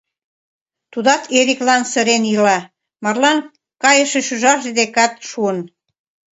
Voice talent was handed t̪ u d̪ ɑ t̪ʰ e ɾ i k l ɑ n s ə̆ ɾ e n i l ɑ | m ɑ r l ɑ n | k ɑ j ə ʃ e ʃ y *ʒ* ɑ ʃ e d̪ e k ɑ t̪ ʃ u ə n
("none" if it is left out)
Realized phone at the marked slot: ʒ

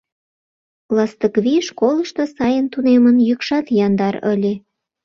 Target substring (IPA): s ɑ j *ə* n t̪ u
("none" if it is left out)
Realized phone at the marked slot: ə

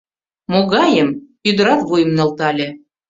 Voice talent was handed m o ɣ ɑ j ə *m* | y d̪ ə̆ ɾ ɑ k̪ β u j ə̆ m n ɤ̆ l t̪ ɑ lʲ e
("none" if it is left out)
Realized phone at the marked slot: m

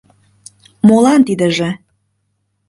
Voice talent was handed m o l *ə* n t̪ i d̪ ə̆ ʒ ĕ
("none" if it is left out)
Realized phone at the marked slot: ɑ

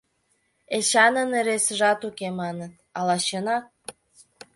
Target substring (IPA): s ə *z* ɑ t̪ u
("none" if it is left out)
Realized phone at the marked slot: ʒ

